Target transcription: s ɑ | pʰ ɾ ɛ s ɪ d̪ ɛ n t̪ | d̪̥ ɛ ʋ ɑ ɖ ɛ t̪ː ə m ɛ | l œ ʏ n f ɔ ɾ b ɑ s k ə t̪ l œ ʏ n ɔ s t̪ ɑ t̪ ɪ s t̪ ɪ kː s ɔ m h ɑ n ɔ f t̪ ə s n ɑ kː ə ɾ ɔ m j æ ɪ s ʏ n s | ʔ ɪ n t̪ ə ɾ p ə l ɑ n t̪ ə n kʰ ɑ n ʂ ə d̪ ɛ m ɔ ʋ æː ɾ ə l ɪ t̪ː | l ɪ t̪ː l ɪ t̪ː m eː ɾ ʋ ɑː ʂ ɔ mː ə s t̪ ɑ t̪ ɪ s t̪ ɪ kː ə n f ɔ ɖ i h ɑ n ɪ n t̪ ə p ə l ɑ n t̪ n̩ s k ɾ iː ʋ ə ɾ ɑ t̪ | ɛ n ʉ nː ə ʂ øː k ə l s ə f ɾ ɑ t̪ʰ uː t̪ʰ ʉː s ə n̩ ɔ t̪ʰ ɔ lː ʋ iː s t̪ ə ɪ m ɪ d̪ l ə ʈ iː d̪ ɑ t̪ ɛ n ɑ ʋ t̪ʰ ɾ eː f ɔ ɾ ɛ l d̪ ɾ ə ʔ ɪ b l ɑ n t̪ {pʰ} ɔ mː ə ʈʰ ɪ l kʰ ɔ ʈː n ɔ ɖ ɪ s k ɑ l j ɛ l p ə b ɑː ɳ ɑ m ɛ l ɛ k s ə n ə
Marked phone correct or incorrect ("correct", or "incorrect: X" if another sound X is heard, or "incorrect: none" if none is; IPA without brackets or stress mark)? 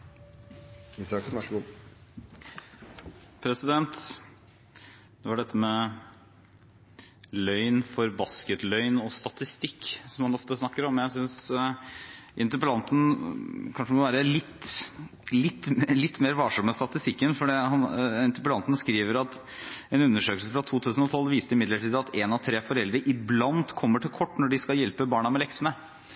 incorrect: kʰ